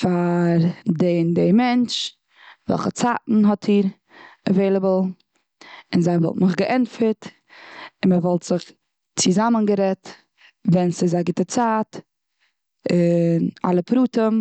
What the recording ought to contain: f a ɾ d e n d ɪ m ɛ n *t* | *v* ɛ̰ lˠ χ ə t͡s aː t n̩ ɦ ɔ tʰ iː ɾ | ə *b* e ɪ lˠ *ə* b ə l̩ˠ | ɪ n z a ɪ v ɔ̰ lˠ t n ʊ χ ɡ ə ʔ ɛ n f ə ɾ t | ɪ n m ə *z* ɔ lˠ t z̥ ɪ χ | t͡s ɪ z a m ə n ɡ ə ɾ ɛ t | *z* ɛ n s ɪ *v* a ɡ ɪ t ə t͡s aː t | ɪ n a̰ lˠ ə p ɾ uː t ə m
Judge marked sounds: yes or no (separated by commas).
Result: no, yes, no, yes, no, no, no